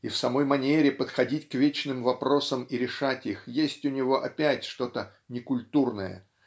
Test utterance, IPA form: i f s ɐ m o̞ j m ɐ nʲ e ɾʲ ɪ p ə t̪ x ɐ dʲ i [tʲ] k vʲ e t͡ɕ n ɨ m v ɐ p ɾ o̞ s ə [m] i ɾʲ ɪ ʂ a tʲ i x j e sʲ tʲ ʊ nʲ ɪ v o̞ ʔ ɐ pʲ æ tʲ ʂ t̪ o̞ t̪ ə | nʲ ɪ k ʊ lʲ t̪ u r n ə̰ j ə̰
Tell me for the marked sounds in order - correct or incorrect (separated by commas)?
correct, correct